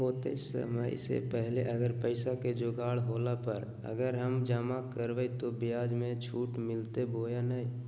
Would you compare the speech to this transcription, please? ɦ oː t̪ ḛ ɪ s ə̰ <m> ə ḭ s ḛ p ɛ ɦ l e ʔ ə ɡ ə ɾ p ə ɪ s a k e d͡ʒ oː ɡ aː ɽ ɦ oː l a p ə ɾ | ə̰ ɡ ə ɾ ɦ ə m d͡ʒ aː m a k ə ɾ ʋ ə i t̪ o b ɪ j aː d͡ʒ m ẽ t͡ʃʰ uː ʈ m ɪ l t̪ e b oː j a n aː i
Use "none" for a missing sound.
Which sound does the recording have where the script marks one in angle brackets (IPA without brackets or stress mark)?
m